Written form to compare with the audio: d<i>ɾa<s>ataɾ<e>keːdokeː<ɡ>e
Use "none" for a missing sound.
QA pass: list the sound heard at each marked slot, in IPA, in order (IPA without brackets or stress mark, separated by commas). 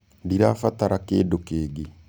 i, f, a, ɡ